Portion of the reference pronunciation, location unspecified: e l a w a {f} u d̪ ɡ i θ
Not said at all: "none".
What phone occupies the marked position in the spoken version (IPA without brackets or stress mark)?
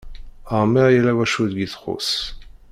ʃ